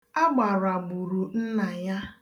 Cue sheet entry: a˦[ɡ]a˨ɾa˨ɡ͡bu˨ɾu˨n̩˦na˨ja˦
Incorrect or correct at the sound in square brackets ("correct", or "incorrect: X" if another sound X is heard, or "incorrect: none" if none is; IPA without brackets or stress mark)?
incorrect: ɡ͡b